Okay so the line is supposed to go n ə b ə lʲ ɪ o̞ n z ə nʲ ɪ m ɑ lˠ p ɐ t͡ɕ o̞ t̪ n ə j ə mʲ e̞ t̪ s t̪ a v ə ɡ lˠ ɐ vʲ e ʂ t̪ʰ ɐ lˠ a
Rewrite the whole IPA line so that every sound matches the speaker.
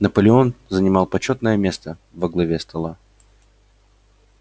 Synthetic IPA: n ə p ə lʲ ɪ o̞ n z ə nʲ ɪ m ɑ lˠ p ɐ t͡ɕ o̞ t̪ n ə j ə mʲ e̞ s t̪ ə v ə ɡ lˠ ɐ vʲ e s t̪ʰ ɐ lˠ a